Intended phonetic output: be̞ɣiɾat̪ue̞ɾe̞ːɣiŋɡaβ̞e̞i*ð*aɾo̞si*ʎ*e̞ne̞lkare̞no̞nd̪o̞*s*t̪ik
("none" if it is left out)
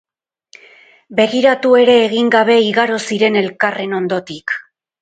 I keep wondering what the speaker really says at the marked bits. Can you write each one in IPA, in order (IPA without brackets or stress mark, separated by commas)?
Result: ɣ, ɾ, none